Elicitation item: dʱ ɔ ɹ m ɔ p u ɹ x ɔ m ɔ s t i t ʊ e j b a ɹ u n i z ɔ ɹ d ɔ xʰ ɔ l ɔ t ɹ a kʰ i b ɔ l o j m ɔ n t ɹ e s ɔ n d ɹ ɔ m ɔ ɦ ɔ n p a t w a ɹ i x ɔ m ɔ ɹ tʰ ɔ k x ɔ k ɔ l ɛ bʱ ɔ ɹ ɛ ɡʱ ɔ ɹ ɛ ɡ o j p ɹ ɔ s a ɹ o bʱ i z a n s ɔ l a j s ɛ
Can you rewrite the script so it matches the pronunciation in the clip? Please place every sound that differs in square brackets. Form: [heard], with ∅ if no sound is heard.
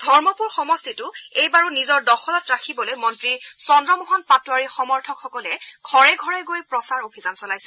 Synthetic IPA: dʱ ɔ ɹ m ɔ p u ɹ x ɔ m ɔ s t i t ʊ e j b a ɹ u n i z ɔ ɹ d ɔ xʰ ɔ l ɔ t ɹ a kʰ i b ɔ l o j m ɔ n t ɹ [i] s ɔ n d ɹ ɔ m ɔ ɦ ɔ n p a t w a ɹ i x ɔ m ɔ ɹ tʰ ɔ k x ɔ k ɔ l ɛ [ɡʱ] ɔ ɹ ɛ ɡʱ ɔ ɹ ɛ ɡ o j p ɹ ɔ s a ɹ o bʱ i z a n s ɔ l a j s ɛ